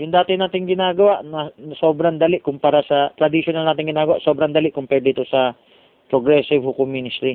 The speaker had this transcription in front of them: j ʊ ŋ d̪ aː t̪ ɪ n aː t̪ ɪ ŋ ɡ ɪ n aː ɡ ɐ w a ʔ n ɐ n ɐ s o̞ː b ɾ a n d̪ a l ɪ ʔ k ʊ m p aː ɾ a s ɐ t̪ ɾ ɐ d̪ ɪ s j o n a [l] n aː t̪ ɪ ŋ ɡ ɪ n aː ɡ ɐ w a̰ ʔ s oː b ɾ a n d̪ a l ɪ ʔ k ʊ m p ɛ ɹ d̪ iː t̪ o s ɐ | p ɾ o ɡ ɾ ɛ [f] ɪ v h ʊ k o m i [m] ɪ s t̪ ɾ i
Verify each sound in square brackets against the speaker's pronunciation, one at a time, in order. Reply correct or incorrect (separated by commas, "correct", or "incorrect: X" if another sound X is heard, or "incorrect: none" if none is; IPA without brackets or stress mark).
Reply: correct, incorrect: s, incorrect: n